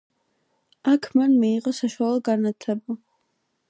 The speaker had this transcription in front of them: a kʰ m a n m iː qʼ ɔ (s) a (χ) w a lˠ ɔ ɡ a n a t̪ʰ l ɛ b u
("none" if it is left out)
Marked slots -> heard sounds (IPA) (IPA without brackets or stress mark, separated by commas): s, ʃ